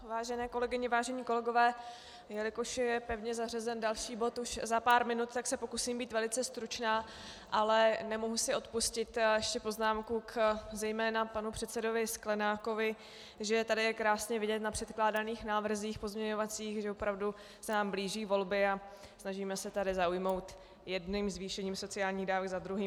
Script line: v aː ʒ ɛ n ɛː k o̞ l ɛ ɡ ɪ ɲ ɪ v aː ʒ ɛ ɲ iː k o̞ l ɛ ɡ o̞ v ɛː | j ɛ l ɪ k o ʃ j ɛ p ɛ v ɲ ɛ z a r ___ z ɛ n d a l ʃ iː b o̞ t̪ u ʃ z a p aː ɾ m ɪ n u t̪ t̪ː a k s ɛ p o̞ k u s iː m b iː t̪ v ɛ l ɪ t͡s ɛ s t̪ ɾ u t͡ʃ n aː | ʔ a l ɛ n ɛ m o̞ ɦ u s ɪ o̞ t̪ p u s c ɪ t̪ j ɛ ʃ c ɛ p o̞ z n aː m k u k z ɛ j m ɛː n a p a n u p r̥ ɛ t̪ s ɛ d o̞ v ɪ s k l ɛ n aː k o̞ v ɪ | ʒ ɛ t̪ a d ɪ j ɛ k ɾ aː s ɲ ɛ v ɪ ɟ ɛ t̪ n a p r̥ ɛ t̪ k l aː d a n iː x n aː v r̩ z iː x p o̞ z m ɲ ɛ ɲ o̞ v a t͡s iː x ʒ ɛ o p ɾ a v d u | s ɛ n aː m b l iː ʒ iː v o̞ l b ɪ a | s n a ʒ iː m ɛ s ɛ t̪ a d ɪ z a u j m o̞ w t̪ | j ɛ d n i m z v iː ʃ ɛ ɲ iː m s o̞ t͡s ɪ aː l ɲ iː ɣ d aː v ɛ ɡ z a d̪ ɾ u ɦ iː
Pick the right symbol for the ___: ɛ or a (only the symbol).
ɛ